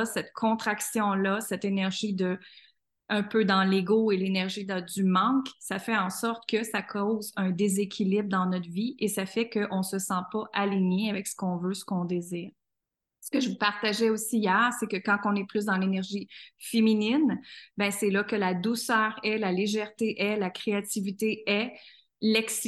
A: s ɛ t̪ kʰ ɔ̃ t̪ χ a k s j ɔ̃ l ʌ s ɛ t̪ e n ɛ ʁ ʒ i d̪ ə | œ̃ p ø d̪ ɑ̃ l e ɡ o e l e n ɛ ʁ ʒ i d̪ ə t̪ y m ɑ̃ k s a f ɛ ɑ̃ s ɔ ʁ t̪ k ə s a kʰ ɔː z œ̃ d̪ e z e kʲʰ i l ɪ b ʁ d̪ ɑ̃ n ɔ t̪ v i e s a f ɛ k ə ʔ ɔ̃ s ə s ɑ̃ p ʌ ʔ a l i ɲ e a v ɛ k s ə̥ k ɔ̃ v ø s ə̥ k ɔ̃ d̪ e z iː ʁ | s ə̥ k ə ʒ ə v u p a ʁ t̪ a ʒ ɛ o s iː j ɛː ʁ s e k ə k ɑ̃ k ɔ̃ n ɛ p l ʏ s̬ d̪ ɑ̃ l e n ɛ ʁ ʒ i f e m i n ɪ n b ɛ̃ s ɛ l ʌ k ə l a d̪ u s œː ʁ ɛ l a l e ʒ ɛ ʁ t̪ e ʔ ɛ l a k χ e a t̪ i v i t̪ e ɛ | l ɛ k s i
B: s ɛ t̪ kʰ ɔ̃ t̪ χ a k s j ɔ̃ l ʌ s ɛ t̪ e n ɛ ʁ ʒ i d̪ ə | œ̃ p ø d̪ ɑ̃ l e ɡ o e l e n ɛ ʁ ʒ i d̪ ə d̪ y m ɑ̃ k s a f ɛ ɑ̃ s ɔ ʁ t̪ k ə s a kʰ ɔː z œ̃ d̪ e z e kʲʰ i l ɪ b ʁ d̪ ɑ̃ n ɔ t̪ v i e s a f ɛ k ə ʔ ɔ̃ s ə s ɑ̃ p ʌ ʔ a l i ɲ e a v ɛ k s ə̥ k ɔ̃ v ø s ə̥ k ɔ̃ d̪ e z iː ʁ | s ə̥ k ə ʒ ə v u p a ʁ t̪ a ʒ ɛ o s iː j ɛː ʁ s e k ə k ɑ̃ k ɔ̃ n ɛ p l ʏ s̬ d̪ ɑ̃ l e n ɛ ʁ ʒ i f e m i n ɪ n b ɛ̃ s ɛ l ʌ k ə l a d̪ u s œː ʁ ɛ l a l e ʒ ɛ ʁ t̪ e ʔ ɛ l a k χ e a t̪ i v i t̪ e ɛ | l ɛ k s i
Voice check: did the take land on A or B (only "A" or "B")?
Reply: B